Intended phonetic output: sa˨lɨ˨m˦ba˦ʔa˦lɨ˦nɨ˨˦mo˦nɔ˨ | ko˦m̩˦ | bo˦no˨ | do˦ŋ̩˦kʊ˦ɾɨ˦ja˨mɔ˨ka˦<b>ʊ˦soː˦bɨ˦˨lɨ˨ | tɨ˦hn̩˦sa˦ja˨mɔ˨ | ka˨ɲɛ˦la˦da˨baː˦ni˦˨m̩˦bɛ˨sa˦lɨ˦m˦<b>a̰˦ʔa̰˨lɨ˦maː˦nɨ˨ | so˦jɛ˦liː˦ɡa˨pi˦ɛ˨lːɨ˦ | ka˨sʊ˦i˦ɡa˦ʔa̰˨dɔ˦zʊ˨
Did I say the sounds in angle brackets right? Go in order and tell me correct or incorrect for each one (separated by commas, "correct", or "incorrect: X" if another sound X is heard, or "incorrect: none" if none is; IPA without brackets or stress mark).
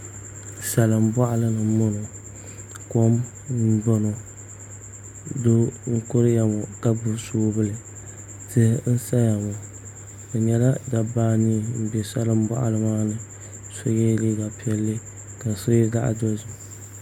correct, correct